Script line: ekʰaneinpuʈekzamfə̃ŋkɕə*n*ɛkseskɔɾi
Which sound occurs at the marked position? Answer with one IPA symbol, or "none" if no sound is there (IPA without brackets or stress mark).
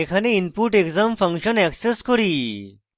n